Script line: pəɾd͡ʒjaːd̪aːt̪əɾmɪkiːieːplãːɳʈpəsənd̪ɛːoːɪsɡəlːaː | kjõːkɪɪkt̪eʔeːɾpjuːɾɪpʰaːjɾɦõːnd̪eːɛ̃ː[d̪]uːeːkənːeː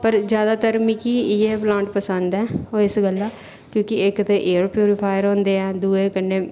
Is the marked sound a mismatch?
no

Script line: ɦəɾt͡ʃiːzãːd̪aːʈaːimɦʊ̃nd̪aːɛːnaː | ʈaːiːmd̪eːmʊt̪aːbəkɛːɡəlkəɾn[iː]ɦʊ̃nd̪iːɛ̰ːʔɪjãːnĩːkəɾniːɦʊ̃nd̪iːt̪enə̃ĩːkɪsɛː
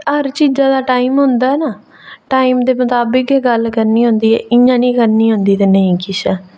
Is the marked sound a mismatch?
no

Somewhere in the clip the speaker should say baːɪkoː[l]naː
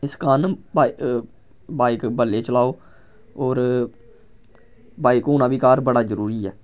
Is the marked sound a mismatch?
yes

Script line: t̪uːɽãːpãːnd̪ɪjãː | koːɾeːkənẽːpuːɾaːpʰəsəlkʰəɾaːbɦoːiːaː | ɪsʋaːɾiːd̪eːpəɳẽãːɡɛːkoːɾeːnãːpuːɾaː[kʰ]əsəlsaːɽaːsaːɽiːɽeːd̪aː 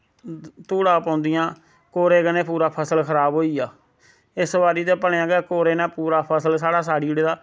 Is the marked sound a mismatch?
yes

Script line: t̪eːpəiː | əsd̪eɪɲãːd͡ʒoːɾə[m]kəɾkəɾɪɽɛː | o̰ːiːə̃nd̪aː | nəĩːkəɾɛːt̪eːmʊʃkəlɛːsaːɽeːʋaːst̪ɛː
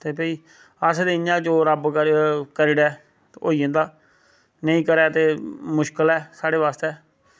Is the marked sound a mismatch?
yes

